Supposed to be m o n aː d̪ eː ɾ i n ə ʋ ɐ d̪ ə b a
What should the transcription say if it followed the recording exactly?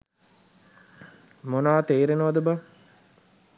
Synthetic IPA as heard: m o n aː t̪ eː ɾ e n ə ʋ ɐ d̪ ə b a